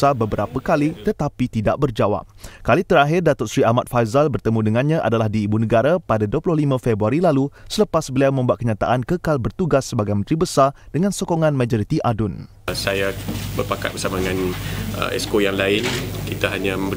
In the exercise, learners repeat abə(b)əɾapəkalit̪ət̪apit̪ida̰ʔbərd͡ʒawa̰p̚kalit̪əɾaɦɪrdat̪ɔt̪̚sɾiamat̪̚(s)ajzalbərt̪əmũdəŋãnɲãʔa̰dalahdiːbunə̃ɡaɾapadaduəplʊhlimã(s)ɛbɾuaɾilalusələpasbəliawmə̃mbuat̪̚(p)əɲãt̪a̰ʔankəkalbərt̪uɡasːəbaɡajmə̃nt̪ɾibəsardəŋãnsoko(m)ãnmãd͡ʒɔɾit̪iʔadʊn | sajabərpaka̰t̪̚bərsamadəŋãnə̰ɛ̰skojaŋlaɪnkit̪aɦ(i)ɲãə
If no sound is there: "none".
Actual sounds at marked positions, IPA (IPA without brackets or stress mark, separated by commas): b, f, f, k, ŋ, a